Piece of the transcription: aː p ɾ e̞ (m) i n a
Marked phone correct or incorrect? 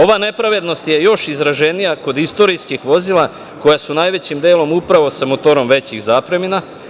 correct